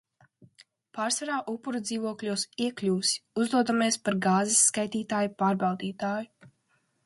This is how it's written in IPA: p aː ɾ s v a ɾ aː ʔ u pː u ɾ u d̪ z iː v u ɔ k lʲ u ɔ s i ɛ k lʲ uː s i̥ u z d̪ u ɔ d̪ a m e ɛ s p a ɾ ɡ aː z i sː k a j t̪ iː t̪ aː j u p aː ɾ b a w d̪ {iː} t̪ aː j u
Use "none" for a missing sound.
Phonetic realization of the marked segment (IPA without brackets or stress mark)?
iː